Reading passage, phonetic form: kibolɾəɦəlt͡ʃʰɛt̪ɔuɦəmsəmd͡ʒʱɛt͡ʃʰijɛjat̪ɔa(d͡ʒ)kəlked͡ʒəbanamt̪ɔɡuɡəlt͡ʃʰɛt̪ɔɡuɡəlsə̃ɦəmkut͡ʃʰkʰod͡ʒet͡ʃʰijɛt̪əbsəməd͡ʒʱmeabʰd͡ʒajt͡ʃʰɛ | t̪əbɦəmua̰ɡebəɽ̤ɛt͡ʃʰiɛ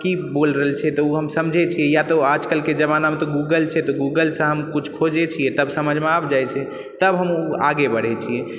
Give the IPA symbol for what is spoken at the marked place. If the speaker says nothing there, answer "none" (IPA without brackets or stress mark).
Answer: d͡ʒ